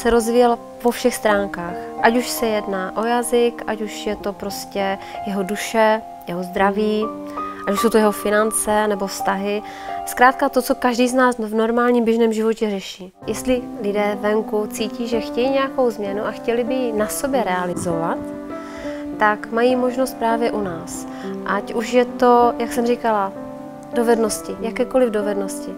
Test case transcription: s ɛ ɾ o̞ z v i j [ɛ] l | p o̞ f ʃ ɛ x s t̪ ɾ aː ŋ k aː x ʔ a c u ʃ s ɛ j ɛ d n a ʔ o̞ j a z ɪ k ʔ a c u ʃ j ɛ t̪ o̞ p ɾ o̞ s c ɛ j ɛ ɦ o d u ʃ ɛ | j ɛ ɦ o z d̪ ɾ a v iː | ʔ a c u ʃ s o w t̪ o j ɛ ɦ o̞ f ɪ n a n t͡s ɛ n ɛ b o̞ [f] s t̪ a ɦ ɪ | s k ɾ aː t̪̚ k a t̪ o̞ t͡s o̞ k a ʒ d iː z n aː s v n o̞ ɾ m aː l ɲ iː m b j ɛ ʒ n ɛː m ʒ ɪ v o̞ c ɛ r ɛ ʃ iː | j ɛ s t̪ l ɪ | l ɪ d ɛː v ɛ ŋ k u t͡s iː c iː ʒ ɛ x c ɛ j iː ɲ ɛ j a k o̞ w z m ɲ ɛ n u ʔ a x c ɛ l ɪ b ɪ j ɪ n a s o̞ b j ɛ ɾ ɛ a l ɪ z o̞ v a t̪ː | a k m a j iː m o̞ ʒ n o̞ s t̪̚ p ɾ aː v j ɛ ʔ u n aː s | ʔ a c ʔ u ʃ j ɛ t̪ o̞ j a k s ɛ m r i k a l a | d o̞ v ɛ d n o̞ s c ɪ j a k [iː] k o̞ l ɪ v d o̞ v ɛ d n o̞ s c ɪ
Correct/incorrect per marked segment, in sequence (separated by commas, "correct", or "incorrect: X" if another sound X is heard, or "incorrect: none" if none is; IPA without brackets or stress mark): correct, correct, incorrect: ɛː